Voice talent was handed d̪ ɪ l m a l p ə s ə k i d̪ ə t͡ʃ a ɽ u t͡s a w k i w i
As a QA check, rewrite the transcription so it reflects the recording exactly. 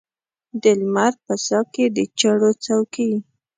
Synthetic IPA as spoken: d̪ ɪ l m a ɾ p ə s ɑ k e d̪ ə t͡ʃ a ɽ o t͡s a w k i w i

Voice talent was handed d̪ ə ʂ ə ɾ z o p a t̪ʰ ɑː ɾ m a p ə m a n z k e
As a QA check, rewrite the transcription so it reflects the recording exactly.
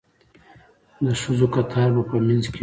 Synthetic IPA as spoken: d̪ ə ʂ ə z o k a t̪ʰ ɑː ɾ b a p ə m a n z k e

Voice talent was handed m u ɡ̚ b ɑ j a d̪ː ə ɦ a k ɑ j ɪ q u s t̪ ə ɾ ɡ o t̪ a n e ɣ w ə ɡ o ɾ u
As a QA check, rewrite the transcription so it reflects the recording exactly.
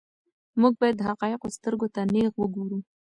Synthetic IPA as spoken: m u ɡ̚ b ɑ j a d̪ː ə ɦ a q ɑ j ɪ q o s t̪ ə ɾ ɡ o t̪ a n e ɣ w ə ɡ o ɾ u

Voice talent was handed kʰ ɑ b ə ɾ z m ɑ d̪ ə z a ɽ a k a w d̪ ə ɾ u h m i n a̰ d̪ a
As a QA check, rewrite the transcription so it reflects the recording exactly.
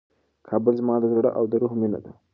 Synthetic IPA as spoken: kʰ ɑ b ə l z m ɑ d̪ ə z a ɽ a ʔ a w d̪ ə ɾ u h m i n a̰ d̪ a

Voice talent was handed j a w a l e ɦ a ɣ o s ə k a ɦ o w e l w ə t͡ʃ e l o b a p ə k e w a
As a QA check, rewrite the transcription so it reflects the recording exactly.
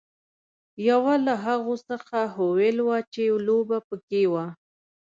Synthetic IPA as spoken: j a w a l a ɦ a ɣ o s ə x a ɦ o w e l w a t͡ʃ e l o b a p ə k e w a

